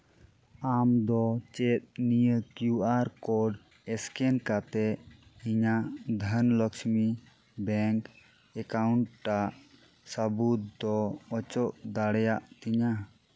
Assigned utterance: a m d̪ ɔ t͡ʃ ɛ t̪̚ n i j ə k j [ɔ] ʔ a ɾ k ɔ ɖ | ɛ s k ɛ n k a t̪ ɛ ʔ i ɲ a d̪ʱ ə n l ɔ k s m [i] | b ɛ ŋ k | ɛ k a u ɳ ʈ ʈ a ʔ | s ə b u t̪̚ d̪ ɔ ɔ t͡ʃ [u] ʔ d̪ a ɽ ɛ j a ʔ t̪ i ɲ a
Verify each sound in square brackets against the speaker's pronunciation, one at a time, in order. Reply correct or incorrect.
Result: incorrect, correct, incorrect

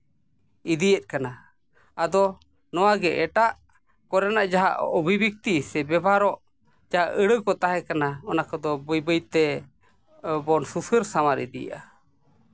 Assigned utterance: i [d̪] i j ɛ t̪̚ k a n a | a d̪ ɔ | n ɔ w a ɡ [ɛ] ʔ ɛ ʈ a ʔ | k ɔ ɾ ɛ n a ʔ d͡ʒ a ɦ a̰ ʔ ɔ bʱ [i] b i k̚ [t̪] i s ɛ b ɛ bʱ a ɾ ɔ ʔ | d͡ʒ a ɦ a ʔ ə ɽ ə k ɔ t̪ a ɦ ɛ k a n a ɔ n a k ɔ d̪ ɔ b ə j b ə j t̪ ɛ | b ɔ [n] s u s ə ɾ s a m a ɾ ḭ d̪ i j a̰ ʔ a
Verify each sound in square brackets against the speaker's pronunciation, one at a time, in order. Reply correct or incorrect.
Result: correct, correct, correct, correct, correct

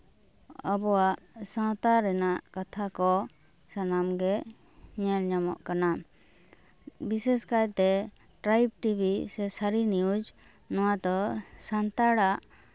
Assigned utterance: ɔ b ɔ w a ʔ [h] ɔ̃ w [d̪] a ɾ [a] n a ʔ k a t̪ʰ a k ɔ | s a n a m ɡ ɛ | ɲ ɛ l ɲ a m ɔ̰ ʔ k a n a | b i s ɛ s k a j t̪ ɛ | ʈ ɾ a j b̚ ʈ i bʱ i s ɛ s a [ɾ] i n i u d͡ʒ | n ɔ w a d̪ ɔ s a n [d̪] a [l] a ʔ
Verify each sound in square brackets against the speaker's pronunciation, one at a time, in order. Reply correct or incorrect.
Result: incorrect, incorrect, incorrect, correct, incorrect, incorrect

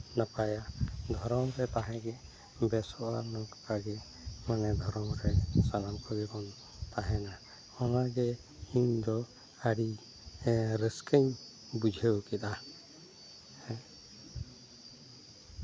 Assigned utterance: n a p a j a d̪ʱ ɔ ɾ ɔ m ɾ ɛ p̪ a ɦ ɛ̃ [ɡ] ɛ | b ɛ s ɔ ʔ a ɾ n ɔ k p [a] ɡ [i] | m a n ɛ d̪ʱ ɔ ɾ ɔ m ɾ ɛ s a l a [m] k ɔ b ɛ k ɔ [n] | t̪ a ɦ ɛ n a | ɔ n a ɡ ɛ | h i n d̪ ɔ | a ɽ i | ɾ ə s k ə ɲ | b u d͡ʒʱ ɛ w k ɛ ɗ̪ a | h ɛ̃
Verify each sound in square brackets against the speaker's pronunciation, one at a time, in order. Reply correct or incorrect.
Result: correct, correct, incorrect, correct, correct

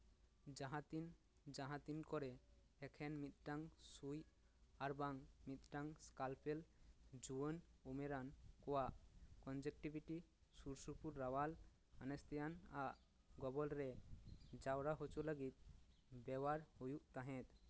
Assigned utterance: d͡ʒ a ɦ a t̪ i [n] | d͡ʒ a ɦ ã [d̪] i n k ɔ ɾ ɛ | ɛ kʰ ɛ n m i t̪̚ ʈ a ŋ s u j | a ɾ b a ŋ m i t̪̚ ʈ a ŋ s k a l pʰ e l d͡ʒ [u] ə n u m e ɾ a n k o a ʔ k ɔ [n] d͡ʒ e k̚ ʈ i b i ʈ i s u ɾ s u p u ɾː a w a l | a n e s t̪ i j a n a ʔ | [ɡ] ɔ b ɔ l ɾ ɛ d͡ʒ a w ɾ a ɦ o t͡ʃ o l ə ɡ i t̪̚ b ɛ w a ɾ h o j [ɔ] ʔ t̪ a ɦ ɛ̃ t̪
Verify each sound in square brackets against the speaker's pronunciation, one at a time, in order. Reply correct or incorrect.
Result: correct, incorrect, correct, correct, correct, incorrect

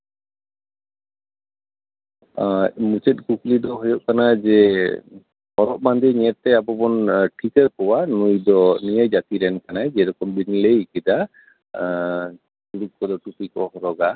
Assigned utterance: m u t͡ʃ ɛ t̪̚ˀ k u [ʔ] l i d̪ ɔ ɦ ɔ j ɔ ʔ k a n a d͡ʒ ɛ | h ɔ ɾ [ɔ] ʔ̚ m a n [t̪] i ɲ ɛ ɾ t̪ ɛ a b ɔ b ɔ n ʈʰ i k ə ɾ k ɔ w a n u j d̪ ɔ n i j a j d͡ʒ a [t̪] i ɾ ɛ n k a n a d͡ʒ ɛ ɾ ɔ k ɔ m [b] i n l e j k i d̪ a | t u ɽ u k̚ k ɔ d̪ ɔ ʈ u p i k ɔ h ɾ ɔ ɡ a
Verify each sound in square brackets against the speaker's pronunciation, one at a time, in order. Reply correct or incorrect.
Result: incorrect, correct, incorrect, correct, correct

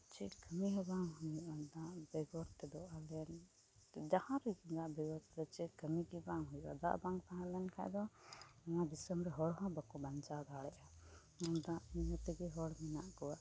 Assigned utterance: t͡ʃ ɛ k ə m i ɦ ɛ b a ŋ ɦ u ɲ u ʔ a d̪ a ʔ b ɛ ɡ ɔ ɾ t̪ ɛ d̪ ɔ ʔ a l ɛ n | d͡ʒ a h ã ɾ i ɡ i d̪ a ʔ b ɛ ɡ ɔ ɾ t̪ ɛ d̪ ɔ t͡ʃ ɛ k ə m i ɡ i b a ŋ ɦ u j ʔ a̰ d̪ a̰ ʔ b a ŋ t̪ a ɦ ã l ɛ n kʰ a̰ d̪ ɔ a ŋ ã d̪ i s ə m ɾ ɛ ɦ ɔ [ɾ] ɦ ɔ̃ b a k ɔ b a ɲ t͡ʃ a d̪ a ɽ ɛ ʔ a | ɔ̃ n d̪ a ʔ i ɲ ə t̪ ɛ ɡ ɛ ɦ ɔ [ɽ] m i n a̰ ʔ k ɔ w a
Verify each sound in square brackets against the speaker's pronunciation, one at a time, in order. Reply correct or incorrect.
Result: incorrect, correct

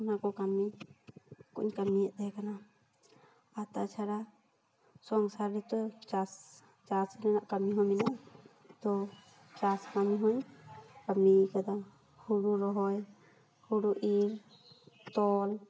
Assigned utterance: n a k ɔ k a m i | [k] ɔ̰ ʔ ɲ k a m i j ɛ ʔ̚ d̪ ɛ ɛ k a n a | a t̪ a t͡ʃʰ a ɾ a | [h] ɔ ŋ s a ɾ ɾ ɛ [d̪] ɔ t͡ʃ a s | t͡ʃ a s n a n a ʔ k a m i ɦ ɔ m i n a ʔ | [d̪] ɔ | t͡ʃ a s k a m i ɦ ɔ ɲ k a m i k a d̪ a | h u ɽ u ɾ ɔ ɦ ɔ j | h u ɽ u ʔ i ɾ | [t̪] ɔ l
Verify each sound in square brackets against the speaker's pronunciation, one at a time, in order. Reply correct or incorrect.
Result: correct, incorrect, incorrect, incorrect, correct

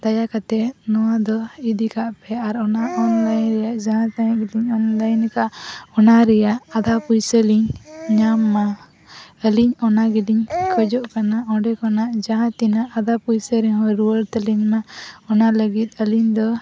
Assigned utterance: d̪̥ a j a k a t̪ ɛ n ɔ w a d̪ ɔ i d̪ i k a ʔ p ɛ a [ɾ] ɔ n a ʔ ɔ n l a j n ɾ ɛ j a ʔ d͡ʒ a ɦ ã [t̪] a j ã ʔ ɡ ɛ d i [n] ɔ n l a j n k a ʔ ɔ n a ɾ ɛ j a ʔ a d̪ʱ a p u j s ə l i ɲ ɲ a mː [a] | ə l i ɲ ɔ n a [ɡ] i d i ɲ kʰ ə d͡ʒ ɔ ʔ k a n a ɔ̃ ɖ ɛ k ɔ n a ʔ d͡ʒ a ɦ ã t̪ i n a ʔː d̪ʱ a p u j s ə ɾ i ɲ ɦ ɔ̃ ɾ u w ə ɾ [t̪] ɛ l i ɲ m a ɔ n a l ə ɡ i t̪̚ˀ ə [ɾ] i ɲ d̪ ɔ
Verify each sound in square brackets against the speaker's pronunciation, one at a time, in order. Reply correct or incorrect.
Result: correct, correct, incorrect, correct, correct, correct, incorrect

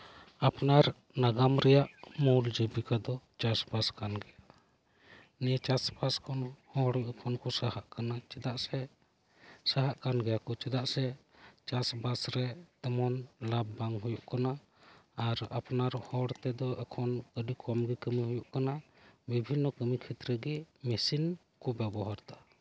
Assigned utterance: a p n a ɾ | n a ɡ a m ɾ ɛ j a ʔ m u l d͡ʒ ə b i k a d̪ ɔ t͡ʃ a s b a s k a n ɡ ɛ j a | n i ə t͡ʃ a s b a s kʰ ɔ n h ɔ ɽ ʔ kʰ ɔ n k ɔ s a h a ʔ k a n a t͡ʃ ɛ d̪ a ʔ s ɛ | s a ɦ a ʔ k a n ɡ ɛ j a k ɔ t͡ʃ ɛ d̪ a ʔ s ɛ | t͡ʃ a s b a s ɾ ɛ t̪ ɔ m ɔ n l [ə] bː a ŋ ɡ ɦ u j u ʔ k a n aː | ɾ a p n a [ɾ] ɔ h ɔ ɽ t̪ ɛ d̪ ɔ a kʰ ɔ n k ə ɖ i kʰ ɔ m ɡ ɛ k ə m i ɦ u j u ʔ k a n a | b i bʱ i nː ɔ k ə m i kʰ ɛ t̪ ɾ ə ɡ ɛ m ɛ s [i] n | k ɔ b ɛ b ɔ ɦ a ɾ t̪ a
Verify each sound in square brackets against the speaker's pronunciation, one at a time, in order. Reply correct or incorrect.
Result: incorrect, correct, correct

